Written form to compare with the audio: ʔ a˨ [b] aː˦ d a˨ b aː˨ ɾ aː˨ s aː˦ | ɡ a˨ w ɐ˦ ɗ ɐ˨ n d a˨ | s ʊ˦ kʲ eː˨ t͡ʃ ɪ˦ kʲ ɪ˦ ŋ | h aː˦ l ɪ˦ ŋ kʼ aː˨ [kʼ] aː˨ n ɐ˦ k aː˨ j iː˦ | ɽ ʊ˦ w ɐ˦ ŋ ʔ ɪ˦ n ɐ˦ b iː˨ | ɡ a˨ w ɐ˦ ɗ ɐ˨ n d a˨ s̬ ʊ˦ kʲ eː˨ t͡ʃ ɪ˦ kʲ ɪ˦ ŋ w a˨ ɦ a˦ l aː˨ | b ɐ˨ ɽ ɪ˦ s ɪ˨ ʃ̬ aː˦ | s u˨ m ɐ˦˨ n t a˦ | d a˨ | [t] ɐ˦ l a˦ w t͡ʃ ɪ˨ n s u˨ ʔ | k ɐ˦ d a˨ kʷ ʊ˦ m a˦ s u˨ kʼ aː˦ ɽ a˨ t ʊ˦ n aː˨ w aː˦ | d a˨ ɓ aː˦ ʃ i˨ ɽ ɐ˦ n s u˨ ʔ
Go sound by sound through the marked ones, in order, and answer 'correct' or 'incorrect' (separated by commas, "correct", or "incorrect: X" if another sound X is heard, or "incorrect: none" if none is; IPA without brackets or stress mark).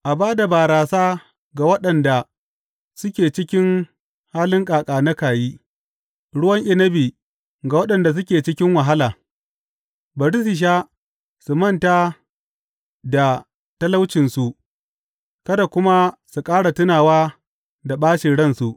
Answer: correct, correct, correct